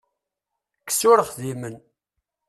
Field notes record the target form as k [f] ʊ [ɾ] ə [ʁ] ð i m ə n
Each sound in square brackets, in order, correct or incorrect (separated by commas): incorrect, correct, incorrect